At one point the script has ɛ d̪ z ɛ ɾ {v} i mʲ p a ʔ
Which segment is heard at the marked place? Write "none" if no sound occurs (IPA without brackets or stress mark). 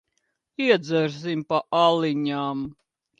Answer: z